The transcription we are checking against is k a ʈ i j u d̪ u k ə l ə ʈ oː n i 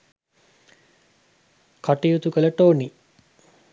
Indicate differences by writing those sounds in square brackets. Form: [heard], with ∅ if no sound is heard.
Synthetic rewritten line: k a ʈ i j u [t̪] u k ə l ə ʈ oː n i